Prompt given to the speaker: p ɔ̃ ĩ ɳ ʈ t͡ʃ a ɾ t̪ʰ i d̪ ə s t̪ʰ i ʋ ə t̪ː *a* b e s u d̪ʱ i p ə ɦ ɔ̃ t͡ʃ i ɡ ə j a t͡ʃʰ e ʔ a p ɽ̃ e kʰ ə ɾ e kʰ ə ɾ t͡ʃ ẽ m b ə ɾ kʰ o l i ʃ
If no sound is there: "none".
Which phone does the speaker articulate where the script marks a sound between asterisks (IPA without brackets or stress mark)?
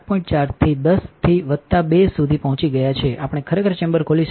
a